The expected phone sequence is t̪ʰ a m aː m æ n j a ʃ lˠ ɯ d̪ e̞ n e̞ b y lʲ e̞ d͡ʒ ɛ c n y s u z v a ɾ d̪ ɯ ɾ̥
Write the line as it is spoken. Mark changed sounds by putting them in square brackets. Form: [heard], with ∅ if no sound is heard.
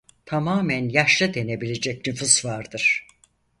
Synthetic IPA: t̪ʰ a m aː m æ n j a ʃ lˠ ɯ d̪ e̞ n e̞ b [i] lʲ e̞ d͡ʒ ɛ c n y [f] u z v a ɾ d̪ ɯ ɾ̥